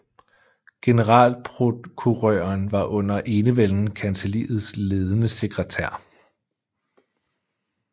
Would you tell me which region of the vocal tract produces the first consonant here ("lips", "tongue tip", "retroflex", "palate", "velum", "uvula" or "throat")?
velum